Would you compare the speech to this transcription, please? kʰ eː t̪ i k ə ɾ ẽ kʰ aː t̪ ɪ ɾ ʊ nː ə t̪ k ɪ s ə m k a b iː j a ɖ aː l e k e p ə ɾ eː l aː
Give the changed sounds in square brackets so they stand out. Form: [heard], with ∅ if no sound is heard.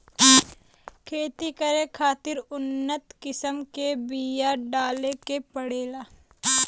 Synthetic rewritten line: kʰ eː t̪ i k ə ɾ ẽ kʰ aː t̪ ɪ ɾ ʊ nː ə t̪ k ɪ s ə m k [e] b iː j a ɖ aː l e k e p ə [ɽ] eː l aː